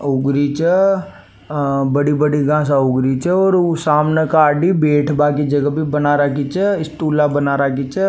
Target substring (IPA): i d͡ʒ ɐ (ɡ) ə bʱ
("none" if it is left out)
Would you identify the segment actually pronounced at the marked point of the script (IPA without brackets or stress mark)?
ɡ